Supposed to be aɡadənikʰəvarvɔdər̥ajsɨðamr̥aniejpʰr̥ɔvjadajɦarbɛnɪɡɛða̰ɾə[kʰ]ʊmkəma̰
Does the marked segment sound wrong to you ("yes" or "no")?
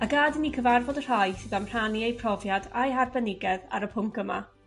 yes